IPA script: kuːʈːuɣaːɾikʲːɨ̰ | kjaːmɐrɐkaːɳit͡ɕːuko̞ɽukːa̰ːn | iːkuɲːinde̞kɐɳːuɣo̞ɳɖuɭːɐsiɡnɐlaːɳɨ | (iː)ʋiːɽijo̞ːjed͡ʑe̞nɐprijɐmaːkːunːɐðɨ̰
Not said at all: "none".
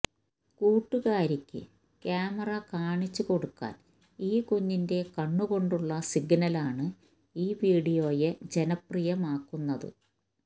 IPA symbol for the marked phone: iː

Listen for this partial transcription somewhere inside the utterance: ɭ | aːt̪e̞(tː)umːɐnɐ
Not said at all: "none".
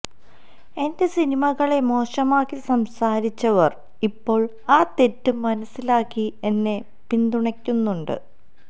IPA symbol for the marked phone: tː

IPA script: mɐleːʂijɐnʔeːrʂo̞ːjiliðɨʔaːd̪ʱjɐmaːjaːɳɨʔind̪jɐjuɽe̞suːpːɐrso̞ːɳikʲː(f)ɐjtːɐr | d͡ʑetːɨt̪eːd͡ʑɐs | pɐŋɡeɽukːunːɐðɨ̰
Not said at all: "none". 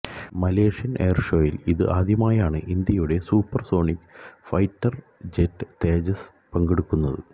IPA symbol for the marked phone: f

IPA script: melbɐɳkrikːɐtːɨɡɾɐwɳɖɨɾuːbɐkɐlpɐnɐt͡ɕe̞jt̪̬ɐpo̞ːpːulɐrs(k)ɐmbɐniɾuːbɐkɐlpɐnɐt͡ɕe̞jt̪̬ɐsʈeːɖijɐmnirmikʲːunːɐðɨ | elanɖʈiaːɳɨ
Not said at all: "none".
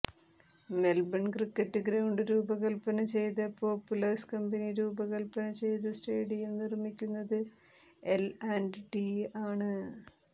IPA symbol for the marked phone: k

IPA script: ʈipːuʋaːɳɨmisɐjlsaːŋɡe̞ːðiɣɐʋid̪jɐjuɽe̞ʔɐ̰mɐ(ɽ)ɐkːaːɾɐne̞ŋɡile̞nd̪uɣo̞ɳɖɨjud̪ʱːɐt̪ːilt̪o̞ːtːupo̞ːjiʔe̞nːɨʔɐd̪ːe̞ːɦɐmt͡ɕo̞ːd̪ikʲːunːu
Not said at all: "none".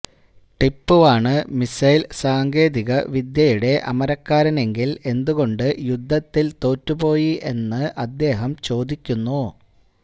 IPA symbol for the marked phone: ɾ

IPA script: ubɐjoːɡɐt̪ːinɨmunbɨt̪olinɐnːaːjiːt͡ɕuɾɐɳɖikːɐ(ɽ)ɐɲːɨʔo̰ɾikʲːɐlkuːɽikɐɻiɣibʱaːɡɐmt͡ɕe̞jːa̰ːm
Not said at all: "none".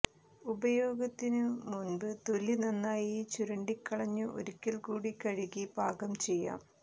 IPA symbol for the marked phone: ɭ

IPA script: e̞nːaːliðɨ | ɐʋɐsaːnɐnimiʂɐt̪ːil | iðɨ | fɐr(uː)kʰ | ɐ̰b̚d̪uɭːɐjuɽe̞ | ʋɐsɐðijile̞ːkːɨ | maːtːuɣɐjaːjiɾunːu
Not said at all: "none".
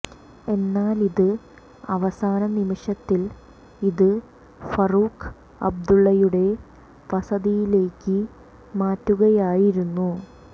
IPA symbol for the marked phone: uː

